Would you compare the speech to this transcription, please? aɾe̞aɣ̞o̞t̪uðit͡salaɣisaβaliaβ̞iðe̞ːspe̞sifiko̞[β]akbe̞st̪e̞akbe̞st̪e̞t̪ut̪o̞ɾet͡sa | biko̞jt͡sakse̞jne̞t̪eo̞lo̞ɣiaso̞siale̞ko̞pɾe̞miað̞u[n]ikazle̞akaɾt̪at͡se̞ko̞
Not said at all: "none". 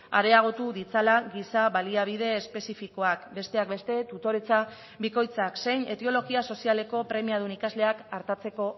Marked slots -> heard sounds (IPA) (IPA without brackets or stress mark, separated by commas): none, n